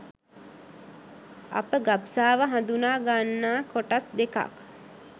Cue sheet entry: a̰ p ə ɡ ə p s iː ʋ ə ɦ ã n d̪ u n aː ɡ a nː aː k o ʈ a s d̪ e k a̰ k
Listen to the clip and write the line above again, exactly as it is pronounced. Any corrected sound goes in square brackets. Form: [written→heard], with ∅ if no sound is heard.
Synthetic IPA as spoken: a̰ p ə ɡ [ə→a] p s [iː→aː] ʋ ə ɦ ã n d̪ u n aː ɡ a nː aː k o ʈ a s d̪ e k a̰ k